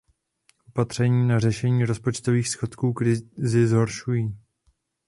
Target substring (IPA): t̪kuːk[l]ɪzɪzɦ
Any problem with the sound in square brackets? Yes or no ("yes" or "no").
yes